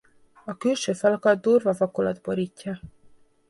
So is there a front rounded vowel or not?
yes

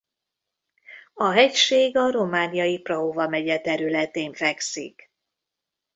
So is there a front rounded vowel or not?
yes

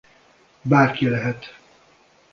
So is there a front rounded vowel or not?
no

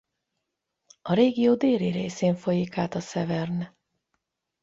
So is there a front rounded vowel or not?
no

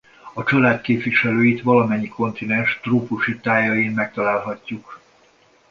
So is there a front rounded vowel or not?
yes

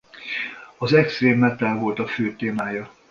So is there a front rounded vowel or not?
yes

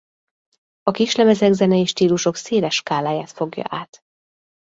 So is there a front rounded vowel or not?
no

